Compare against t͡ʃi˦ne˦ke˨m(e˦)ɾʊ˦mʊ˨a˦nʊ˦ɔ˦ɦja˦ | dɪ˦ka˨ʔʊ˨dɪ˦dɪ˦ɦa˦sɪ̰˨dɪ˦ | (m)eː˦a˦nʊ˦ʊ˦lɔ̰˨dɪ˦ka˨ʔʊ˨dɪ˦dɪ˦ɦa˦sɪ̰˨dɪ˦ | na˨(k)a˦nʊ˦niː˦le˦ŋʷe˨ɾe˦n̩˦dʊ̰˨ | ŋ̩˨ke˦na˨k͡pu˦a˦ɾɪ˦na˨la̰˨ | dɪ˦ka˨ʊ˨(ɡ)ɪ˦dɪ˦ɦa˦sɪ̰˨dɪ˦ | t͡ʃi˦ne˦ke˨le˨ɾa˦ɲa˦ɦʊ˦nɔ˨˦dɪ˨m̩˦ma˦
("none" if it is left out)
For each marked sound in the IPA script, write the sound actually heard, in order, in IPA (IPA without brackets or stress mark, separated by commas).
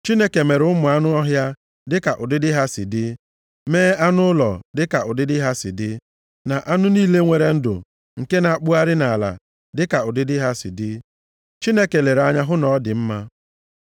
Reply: e˨, m, ʔ, d